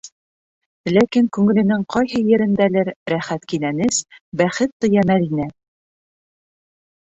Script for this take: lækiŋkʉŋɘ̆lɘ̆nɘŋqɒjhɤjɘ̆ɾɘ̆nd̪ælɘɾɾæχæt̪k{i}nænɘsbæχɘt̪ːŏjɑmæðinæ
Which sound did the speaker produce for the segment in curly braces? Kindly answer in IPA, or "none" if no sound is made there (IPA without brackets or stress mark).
i